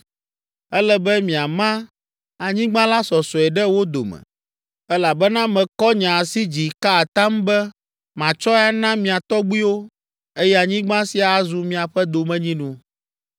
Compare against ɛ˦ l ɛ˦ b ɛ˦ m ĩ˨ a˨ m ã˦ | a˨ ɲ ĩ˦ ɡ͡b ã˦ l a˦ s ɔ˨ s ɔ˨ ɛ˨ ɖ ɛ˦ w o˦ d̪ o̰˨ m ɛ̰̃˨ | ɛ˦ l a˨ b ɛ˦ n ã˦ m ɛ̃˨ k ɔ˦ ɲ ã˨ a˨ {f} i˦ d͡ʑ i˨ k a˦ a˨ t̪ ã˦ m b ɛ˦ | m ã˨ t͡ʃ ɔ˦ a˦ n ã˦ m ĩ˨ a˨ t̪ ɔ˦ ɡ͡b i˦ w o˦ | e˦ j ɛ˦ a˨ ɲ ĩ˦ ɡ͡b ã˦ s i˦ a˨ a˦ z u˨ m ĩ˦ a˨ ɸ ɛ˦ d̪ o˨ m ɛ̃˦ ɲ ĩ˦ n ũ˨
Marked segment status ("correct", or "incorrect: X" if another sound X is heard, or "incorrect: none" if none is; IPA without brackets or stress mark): incorrect: s